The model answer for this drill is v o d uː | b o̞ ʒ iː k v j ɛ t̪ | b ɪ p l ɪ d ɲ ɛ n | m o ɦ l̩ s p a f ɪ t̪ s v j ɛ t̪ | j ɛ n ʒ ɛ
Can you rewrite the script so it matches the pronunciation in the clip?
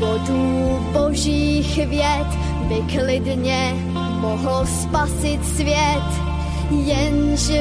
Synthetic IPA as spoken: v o d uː | b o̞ ʒ iː x v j ɛ t̪ | b ɪ k l ɪ d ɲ ɛ | m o ɦ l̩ s p a s ɪ t̪ s v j ɛ t̪ | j ɛ n ʒ ɛ